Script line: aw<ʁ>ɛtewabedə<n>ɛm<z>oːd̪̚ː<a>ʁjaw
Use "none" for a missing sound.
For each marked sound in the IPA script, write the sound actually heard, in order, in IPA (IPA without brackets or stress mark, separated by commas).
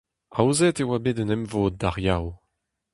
z, n, v, a